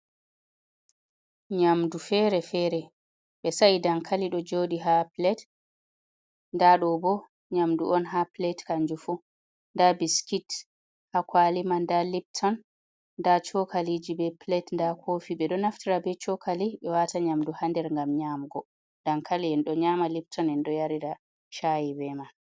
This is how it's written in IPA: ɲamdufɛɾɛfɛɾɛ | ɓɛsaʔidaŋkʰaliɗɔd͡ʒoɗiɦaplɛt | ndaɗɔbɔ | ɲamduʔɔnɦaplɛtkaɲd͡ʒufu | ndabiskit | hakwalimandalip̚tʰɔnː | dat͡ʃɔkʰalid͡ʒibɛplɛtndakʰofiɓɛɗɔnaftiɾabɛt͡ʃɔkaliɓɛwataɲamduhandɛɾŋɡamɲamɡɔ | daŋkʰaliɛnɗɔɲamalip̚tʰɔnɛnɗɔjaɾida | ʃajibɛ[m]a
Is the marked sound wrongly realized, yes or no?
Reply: no